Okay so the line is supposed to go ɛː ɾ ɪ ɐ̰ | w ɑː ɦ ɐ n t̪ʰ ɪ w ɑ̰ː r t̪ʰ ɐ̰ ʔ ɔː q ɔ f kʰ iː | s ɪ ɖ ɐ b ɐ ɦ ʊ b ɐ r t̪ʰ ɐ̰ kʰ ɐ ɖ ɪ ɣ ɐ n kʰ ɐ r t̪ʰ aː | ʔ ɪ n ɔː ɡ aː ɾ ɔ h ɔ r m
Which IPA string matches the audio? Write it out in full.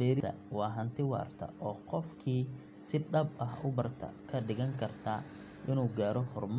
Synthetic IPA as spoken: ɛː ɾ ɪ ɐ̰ | w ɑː ɦ ɐ n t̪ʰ ɪ w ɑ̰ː r t̪ʰ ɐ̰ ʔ ɔː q ɔ f kʰ iː | s ɪ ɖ ɐ b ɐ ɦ ʊ b ɐ r t̪ʰ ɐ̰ kʰ ɐ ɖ ɪ ɣ ɐ ŋ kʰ ɐ r t̪ʰ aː | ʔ ɪ n uː ɡ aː ɾ ɔ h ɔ r m